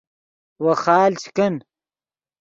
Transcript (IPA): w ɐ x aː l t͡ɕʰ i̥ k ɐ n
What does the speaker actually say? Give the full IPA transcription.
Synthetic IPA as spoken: w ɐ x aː l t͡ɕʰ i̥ k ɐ n